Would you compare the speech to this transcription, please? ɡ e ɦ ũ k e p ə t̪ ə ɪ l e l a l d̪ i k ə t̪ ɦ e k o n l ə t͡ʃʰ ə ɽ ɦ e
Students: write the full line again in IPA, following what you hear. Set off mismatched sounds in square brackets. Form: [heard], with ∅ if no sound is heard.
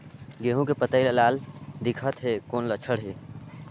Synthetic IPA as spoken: ɡ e ɦ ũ k e p ə t̪ ə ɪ l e l a l d̪ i [kʰ] ə t̪ ɦ e k o n l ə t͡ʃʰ ə ɽ ɦ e